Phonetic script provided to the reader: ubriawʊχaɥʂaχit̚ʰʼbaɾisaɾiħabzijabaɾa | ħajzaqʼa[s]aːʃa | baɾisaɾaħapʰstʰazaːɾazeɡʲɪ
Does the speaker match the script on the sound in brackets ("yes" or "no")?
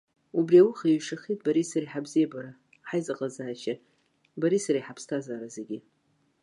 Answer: no